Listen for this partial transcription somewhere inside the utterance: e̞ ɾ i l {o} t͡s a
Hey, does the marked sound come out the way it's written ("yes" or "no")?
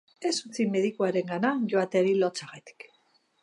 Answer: yes